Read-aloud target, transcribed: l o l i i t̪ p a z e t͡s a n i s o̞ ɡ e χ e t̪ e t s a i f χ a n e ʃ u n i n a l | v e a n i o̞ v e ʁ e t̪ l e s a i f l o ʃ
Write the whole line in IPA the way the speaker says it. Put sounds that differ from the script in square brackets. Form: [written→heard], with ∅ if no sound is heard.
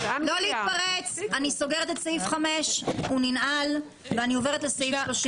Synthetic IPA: l o l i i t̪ p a [z→ʁ] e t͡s a n i s o̞ ɡ e [χ→ʁ] e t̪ e t s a i f χ a [n→m] e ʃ u n i n a l | v e a n i o̞ v e ʁ e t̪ l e s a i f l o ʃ